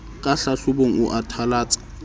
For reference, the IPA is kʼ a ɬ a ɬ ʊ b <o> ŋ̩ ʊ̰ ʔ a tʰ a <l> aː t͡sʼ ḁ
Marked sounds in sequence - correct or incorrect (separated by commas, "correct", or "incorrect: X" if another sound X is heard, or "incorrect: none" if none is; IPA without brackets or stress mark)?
correct, correct